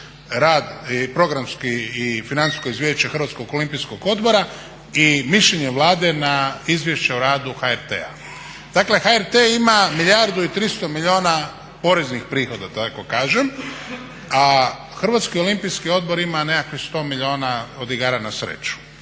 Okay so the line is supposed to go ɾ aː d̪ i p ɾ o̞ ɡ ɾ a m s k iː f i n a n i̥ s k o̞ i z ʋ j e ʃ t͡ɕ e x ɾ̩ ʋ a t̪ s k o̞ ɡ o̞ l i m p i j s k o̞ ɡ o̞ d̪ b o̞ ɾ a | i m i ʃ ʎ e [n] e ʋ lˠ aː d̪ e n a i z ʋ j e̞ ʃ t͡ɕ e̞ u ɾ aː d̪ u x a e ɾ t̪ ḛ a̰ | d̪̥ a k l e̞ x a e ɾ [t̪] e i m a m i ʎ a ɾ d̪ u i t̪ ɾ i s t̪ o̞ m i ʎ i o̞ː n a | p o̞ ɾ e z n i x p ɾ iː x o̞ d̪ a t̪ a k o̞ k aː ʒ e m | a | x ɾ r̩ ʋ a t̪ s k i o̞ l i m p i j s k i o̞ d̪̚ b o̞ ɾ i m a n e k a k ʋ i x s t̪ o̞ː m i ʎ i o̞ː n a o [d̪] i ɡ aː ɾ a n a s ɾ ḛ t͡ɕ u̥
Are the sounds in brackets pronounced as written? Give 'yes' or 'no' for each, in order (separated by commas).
no, yes, yes